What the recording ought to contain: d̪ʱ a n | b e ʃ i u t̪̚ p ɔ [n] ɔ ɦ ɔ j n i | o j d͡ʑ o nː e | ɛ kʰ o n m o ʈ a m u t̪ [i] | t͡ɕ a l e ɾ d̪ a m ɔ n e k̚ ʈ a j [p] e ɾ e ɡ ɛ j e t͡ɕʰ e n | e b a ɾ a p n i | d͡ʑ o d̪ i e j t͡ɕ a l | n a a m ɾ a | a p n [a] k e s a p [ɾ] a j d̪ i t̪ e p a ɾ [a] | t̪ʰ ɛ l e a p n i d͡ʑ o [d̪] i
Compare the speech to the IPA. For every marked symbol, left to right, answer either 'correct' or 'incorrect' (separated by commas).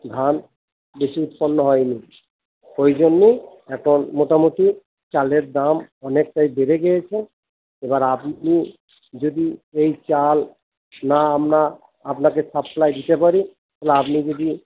incorrect, correct, incorrect, correct, incorrect, incorrect, correct